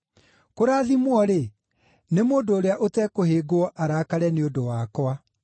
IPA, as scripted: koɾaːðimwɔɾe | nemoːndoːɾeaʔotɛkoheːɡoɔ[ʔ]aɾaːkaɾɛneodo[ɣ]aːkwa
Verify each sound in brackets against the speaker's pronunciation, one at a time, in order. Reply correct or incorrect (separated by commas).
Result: correct, incorrect